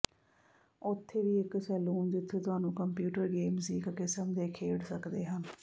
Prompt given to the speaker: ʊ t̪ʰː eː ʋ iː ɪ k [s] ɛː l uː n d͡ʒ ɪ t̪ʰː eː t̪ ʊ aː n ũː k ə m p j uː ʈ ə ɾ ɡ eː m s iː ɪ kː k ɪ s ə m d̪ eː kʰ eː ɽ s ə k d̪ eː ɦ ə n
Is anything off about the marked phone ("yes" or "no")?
no